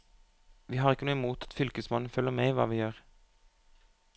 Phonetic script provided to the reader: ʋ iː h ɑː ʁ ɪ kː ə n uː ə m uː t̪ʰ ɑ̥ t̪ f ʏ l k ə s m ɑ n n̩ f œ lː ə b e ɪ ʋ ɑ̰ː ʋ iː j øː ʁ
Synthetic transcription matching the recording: ʋ iː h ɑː ʁ ɪ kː ə n uː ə m uː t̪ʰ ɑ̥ t̪ f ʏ l k ə s m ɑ n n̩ f œ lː ə m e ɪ ʋ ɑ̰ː ʋ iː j øː ʁ